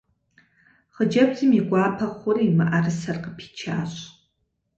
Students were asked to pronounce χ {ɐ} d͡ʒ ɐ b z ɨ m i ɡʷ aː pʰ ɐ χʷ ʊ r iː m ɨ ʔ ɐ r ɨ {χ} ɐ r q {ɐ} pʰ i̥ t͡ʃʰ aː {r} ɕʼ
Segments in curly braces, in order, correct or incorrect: incorrect: ə, incorrect: s, incorrect: ə, incorrect: none

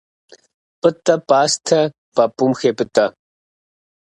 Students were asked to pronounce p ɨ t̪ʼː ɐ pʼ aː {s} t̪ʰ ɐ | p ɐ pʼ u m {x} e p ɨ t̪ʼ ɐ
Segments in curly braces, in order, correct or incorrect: correct, correct

